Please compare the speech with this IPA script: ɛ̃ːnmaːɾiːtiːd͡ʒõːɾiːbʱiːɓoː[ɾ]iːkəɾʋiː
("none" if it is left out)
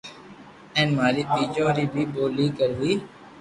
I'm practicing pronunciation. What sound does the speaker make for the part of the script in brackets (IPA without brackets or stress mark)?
l